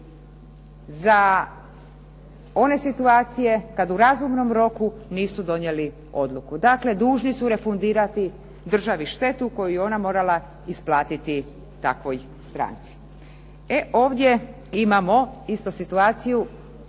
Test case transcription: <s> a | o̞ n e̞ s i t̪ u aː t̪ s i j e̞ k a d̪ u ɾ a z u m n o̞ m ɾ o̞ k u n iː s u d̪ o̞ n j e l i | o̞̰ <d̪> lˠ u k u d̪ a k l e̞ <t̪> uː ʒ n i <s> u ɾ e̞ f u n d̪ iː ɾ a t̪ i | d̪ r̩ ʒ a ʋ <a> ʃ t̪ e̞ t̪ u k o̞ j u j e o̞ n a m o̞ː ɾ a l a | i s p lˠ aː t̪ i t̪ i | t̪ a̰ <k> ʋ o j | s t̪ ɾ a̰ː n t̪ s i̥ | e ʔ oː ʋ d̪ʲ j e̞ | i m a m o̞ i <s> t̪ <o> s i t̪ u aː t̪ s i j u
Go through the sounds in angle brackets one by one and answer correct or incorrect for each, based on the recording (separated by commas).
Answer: incorrect, correct, incorrect, correct, incorrect, correct, correct, correct